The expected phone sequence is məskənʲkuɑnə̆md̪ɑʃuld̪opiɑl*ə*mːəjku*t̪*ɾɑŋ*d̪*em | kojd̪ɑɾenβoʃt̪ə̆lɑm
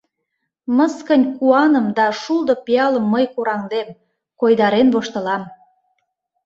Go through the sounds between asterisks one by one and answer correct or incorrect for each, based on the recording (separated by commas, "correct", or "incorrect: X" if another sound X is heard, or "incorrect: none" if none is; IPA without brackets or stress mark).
correct, incorrect: none, correct